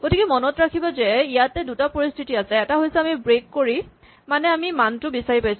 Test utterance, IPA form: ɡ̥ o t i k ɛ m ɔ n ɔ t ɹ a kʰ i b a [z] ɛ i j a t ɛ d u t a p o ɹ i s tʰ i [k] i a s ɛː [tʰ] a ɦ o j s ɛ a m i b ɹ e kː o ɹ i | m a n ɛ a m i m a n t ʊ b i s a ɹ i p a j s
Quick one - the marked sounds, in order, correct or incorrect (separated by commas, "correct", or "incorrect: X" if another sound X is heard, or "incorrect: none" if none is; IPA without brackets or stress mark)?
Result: correct, incorrect: t, incorrect: t